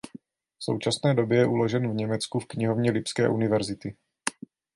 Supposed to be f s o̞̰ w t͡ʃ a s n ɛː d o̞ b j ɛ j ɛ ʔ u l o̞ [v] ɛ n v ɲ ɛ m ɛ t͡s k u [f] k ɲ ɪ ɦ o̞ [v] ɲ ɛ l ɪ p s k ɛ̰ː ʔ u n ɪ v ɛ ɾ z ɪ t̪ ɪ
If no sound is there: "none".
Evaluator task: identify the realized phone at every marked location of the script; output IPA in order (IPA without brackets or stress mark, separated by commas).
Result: ʒ, f, v